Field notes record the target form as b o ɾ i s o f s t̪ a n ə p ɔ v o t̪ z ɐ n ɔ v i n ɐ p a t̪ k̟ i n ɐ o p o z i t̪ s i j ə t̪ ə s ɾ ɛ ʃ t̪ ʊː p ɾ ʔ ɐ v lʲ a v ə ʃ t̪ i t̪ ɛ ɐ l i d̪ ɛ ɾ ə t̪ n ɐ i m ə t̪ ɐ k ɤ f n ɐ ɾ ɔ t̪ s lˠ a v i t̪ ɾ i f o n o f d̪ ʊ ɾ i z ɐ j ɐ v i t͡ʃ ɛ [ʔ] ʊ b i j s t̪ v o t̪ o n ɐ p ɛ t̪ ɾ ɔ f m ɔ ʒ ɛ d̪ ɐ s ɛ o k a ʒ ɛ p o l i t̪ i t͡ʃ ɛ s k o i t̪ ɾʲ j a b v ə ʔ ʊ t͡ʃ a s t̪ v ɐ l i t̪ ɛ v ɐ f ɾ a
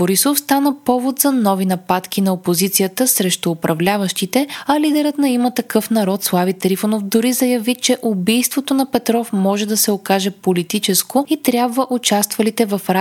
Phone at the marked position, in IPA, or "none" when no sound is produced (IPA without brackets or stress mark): ʔ